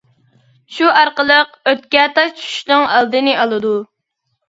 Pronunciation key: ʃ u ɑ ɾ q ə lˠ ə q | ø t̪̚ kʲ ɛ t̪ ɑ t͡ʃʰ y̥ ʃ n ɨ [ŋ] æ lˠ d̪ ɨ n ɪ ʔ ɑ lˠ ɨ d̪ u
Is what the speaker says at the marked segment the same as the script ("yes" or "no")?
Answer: yes